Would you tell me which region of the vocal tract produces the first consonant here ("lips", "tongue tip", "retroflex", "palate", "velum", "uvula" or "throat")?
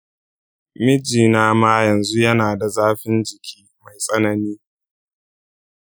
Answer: lips